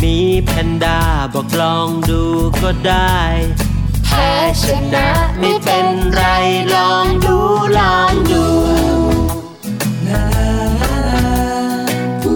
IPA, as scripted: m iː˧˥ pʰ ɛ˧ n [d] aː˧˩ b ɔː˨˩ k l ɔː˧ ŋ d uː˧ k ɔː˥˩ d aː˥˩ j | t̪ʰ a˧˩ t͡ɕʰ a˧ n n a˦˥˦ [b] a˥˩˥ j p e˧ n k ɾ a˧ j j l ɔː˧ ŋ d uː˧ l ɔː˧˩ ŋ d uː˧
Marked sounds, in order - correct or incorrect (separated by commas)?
correct, incorrect